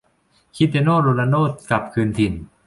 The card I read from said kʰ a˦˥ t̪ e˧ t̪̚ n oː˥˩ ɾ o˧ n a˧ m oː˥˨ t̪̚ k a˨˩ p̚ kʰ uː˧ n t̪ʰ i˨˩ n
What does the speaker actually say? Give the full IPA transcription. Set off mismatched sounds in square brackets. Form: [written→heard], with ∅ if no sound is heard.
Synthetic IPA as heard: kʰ [a˦˥→i˦˥] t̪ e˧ [t̪̚→∅] n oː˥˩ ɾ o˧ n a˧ [m→n] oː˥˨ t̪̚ k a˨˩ p̚ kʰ [uː˧→ɯː˧] n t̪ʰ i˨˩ n